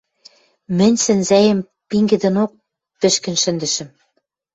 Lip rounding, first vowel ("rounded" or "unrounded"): unrounded